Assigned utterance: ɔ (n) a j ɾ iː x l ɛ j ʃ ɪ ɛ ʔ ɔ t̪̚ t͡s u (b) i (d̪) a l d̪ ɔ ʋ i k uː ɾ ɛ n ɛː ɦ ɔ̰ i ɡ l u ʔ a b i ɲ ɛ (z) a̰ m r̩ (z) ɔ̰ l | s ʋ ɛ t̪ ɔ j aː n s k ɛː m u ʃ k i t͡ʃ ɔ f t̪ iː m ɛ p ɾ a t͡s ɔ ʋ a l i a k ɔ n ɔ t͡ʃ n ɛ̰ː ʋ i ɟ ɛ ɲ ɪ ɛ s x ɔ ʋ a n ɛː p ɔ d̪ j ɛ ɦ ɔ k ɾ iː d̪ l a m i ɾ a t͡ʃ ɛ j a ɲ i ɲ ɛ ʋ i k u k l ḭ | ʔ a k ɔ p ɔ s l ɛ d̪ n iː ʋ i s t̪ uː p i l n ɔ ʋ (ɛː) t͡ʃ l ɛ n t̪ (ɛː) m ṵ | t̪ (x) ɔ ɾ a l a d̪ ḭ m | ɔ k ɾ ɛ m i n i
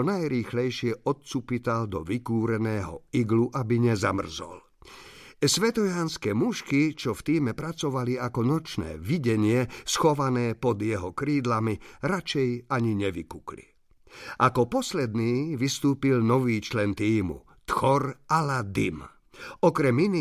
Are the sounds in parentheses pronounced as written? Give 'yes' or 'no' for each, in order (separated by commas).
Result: yes, no, no, yes, yes, no, no, yes